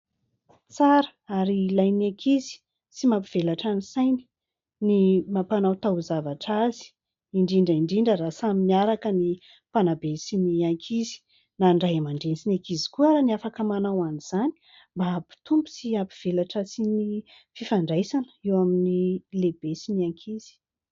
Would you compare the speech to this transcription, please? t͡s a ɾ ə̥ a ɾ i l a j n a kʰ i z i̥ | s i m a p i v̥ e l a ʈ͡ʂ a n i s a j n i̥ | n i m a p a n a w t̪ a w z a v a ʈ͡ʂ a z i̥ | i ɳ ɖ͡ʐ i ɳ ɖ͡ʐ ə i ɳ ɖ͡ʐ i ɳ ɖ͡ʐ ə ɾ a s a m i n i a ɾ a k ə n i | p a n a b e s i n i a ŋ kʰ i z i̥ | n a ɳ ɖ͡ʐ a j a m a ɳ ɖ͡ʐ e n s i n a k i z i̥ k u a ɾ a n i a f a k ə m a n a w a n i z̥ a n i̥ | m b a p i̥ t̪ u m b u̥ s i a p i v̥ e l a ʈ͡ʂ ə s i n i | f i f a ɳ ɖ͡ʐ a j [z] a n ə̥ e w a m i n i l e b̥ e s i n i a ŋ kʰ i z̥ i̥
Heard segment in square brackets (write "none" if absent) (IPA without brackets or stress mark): s